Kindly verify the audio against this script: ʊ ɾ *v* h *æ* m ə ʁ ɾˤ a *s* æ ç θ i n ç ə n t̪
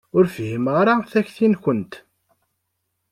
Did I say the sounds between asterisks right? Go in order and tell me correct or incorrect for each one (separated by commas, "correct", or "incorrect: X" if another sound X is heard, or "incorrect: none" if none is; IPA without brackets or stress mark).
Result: incorrect: f, incorrect: i, incorrect: θ